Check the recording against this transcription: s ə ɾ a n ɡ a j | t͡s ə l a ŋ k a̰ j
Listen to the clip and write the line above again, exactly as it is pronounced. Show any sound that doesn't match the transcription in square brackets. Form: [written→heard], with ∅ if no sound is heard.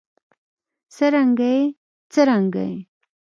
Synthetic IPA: s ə ɾ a [n→ŋ] ɡ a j | t͡s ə [l→ɾ] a ŋ [k→ɡ] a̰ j